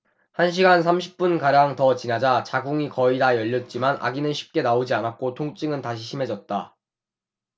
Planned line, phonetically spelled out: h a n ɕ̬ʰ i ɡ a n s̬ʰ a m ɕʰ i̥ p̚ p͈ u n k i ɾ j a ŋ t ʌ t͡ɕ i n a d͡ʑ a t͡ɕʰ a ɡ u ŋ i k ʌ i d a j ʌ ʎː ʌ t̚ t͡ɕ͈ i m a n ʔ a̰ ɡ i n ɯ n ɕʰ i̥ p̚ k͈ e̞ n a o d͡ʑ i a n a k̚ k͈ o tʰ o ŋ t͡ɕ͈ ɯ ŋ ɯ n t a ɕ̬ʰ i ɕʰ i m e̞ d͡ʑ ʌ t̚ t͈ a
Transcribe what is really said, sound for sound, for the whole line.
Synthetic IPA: h a n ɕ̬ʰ i ɡ a n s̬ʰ a m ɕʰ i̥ p̚ p͈ u n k a ɾ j a ŋ t ʌ t͡ɕ i n a d͡ʑ a t͡ɕ a ɡ u ŋ i k ʌ i d a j ʌ ʎː ʌ t̚ t͡ɕ͈ i m a n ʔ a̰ ɡ i n ɯ n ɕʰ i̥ p̚ k͈ e̞ n a o d͡ʑ i a n a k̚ k͈ o tʰ o ŋ t͡ɕ͈ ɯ ŋ ɯ n t a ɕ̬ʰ i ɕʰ i m e̞ d͡ʑ ʌ t̚ t͈ a